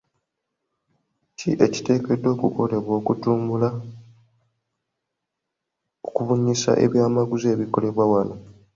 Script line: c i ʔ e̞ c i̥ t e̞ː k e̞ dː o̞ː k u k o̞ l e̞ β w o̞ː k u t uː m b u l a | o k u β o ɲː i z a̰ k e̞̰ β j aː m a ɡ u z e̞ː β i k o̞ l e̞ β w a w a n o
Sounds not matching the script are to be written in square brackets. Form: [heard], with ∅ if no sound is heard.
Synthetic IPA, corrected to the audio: c i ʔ e̞ c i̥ t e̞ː k e̞ dː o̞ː k u k o̞ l e̞ β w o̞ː k u t uː m b u l a | o k u β [u] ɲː i [s] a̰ [ʔ] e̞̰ β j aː m a ɡ u z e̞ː β i k o̞ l e̞ β w a w a n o